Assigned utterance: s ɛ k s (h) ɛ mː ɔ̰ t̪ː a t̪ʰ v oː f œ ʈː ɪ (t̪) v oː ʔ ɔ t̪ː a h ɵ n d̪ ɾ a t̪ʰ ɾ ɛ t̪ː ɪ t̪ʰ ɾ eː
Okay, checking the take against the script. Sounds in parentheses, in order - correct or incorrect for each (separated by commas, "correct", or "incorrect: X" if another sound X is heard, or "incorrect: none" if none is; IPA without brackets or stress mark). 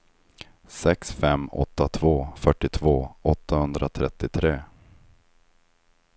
incorrect: f, incorrect: t̪ʰ